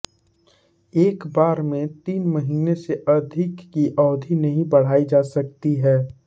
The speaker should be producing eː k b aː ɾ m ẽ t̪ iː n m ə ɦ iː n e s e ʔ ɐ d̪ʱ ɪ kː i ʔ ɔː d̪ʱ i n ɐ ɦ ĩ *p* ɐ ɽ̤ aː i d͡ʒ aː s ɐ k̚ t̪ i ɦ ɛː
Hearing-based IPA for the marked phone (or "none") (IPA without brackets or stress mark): b